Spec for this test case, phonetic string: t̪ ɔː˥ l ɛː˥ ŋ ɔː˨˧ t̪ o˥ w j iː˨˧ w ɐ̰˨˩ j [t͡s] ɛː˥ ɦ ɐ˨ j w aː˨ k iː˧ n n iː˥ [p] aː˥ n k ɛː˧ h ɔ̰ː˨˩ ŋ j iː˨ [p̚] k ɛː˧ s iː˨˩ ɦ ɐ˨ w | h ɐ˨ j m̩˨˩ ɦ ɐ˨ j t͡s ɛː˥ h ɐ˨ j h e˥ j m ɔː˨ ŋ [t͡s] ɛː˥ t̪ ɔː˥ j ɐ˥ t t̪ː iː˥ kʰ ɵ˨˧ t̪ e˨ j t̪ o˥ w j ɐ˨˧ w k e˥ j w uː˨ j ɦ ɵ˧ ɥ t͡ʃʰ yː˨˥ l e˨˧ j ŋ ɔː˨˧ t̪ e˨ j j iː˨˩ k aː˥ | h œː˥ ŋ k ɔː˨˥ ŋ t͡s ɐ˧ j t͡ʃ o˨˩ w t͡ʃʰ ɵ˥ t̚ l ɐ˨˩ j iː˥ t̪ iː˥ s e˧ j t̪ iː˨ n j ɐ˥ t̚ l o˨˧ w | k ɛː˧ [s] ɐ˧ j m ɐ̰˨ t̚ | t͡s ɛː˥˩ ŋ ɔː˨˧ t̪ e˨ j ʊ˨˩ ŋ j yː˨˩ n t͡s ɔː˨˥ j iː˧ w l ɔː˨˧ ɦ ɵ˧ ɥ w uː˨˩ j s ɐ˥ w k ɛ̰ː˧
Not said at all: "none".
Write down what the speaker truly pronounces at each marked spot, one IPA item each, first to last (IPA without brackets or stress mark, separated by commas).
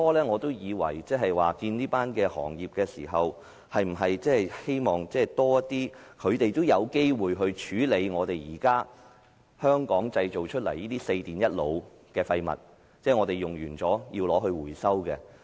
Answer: t͡s, p, p̚, t͡s, f